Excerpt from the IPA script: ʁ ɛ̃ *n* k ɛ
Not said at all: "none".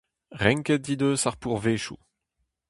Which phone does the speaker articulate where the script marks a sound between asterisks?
ŋ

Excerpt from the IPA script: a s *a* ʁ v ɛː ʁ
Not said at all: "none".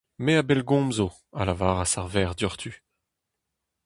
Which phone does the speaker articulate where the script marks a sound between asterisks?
a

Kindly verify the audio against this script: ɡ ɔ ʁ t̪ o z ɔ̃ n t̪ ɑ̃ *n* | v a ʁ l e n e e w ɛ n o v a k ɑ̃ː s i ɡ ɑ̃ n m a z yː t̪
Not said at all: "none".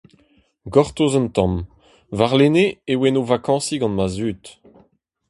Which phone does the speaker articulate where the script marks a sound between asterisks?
m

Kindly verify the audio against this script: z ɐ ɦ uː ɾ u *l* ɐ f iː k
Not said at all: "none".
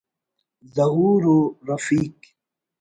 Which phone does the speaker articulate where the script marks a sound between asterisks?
ɾ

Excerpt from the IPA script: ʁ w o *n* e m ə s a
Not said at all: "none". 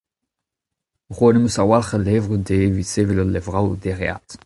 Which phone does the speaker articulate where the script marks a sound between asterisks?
n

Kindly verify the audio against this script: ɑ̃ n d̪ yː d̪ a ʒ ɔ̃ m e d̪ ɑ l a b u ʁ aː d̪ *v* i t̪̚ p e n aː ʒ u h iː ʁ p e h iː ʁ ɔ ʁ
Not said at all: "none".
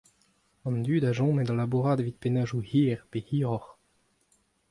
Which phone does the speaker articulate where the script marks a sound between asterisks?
v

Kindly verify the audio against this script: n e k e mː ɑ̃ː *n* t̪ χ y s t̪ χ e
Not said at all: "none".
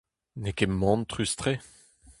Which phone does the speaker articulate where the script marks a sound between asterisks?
n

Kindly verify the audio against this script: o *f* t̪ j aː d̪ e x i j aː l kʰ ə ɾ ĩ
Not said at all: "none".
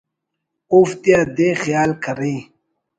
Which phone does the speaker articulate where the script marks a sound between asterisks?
f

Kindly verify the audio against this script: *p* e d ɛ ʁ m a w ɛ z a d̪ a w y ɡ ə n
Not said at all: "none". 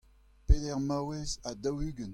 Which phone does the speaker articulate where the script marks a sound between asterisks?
p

